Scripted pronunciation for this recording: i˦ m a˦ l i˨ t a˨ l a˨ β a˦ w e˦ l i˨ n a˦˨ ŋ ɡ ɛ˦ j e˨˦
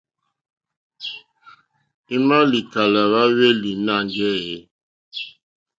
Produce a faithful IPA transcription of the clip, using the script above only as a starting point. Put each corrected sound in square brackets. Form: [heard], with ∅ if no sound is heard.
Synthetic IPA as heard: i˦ m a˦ l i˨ [k] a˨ l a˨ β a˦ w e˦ l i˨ n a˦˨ ŋ ɡ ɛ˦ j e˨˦

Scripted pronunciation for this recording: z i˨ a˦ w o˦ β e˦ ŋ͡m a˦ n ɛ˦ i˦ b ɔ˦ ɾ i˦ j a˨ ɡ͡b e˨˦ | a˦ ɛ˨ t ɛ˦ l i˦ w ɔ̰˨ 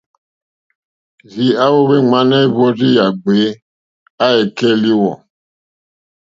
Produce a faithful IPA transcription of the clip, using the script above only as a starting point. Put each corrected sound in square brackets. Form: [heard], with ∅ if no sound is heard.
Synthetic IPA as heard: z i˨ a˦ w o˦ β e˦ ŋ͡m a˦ n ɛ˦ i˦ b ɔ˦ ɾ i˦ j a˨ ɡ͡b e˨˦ | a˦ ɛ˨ [k] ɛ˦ l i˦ w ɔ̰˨

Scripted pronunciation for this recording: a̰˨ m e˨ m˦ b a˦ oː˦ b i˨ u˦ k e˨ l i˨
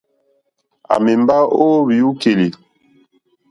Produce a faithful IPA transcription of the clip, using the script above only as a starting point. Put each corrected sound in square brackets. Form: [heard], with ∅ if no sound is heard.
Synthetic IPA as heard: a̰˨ m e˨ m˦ b a˦ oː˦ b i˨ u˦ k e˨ l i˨

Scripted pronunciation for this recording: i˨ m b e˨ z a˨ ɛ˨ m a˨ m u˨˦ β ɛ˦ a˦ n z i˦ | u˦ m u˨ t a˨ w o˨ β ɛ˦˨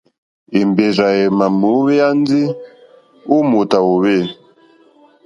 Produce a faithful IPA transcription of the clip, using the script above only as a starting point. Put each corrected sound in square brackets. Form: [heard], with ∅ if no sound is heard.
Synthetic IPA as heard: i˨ m b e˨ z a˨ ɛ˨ m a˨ m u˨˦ β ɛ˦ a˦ n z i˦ | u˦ m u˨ t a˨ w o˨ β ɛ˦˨

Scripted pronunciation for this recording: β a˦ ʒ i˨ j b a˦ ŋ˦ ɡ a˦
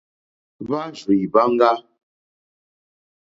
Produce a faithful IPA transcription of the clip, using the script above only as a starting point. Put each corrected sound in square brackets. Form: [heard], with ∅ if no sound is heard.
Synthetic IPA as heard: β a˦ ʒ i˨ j b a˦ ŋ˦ ɡ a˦

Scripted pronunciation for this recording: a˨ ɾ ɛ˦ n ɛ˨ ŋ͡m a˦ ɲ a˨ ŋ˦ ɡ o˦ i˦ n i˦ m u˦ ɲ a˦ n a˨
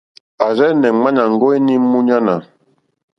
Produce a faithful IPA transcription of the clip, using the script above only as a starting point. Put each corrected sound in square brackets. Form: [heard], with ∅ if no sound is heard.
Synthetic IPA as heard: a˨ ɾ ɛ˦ n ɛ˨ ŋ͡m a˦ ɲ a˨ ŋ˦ ɡ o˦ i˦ n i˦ m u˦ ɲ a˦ n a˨

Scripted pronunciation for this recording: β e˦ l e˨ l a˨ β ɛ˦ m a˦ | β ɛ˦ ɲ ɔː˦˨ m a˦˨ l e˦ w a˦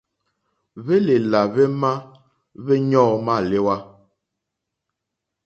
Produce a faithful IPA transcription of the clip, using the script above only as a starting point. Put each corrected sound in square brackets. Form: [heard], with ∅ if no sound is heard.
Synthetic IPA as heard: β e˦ l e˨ l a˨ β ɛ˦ m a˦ | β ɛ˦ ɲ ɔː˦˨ m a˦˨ l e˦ w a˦

